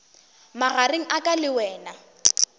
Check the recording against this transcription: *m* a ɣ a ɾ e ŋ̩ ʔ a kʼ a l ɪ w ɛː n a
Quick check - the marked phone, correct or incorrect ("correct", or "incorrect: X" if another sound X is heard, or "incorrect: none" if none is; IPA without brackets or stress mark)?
correct